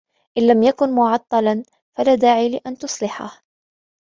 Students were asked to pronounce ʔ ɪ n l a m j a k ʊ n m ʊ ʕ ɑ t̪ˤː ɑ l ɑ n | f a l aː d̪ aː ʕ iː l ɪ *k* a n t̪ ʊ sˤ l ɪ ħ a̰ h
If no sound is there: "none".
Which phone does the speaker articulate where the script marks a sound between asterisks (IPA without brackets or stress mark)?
ʔ